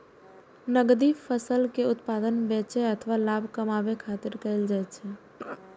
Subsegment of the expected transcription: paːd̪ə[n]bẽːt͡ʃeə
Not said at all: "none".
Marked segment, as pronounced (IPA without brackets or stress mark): n